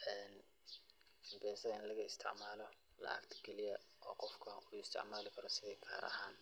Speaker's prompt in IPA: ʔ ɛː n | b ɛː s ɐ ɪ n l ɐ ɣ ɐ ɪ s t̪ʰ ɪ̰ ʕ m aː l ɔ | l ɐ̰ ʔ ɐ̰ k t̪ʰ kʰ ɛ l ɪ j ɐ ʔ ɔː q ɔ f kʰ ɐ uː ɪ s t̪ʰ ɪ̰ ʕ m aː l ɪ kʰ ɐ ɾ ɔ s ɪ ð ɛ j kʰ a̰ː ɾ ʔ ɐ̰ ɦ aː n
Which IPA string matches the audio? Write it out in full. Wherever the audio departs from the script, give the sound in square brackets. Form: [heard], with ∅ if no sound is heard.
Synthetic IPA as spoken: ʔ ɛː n | b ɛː s ɐ ɪ n l ɐ ɣ ɐ ɪ s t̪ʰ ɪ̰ ʕ m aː l ɔ | l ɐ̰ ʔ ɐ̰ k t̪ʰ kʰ ɛ l ɪ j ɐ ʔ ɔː q ɔ f kʰ ɐ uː ɪ s t̪ʰ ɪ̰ ʕ m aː l ɪ kʰ ɐ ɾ ɔ s ɪ ð ɛ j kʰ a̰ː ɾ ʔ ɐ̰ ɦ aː n